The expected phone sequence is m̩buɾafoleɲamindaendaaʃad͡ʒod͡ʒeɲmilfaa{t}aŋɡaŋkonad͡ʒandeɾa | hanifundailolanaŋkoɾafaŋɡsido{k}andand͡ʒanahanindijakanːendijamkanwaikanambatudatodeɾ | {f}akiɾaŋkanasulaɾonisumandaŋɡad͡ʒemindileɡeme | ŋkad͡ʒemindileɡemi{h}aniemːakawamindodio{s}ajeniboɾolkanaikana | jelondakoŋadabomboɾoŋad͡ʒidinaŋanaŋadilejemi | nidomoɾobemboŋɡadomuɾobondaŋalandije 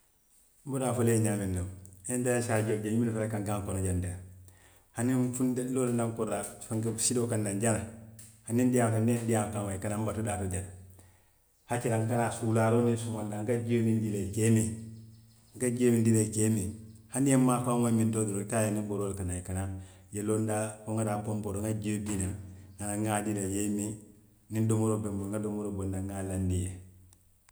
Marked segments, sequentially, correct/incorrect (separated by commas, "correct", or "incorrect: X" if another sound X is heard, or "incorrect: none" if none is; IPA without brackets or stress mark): incorrect: k, correct, incorrect: h, correct, incorrect: t